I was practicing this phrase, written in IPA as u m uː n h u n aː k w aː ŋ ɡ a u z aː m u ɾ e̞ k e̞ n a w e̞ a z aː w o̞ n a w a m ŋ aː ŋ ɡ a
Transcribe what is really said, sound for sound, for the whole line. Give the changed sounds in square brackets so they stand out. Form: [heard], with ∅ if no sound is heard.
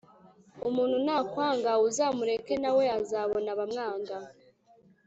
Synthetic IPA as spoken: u m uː n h u n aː k w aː ŋ ɡ a u z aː m u ɾ e̞ k e̞ n a w e̞ a z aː [β] o̞ n a [β] a m ŋ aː ŋ ɡ a